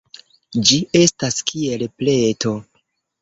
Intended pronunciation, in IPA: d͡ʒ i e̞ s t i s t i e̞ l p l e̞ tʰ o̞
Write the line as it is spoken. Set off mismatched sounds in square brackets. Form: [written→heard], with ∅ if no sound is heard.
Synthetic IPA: d͡ʒ i e̞ s t [i→a] s [t→k] i e̞ l p l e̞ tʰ o̞

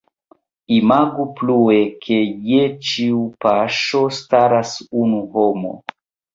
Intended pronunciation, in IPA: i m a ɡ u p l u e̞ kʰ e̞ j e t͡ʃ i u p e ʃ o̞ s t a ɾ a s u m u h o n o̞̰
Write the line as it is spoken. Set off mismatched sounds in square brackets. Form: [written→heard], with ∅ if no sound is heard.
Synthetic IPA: i m a ɡ u p l u e̞ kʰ e̞ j e t͡ʃ i u p [e→a] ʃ o̞ s t a ɾ a s u [m→n] u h o [n→m] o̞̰

